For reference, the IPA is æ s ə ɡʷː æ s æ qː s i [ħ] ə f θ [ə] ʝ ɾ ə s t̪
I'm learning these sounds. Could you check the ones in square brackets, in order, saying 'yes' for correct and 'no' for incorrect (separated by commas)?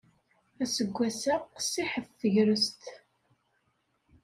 yes, yes